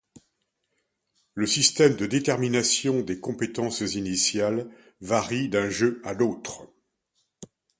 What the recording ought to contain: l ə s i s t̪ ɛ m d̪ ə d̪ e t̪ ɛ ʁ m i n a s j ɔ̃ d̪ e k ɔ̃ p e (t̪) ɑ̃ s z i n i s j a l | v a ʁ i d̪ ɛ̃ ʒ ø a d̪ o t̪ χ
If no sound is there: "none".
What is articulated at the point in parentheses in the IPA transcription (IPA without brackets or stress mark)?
t̪